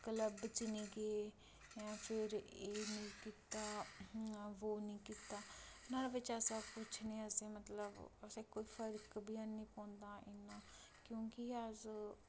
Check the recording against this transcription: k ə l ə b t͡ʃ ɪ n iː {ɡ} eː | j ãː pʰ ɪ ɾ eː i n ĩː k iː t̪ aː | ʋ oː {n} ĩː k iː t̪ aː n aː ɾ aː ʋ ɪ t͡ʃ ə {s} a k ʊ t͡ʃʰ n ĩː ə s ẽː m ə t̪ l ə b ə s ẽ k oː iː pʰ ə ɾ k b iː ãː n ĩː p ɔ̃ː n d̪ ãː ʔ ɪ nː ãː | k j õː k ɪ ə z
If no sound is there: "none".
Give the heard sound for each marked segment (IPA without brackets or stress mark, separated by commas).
ɡ, n, s